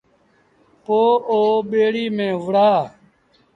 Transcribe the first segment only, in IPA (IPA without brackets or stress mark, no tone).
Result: p